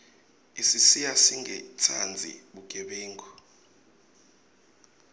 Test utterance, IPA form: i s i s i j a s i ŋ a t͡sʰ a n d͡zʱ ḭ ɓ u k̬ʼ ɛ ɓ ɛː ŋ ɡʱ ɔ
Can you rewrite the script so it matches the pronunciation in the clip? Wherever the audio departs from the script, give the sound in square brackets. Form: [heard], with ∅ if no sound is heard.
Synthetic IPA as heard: i s i s i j a s i ŋ [ɛ] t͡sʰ a n d͡zʱ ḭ ɓ u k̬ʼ ɛ ɓ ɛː ŋ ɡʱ ɔ